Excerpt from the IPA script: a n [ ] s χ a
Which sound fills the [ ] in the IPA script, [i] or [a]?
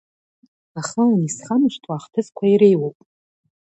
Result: i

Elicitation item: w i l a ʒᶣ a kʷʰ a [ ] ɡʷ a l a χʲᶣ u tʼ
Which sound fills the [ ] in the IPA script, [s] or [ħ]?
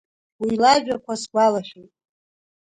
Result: s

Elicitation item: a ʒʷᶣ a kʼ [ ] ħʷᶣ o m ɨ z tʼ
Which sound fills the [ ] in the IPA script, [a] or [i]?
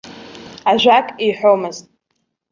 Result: i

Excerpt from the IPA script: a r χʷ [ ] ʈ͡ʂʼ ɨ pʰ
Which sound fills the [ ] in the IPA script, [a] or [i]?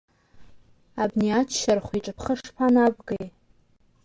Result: i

